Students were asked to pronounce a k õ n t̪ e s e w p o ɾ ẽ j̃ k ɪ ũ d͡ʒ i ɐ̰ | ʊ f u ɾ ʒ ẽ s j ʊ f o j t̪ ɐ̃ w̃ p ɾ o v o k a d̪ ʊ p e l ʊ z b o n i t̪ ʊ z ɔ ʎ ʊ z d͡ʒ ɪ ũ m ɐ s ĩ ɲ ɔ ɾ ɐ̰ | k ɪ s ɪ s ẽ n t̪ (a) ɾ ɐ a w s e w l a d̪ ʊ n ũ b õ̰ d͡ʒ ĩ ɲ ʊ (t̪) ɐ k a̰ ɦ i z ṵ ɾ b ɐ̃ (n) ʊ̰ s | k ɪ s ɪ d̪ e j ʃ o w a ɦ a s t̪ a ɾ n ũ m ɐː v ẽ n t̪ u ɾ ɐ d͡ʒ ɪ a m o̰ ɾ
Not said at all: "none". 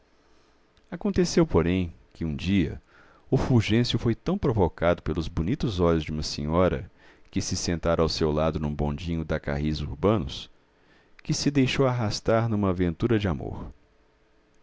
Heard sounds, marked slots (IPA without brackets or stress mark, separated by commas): a, d̪, n